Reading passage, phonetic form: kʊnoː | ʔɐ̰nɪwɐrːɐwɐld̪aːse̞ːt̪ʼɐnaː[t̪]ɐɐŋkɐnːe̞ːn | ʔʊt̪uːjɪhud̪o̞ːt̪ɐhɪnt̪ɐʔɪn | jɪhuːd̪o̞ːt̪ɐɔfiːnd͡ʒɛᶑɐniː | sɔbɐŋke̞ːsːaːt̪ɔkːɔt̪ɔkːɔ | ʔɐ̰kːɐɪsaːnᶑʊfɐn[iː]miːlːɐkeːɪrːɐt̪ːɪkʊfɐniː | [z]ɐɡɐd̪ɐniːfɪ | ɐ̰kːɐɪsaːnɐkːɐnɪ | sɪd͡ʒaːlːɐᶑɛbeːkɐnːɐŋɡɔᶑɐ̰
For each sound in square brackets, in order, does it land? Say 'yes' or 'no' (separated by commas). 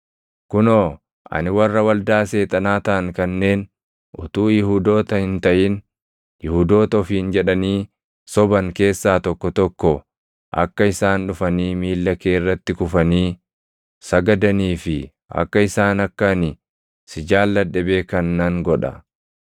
yes, yes, no